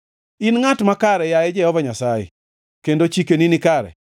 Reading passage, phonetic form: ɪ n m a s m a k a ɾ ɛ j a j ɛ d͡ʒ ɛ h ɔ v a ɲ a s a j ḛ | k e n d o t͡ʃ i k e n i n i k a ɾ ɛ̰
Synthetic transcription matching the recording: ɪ n ŋ a t m a k a ɾ ɛ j a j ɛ d͡ʒ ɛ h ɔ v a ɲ a s a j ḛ | k e n d o t͡ʃ i k e n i n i k a ɾ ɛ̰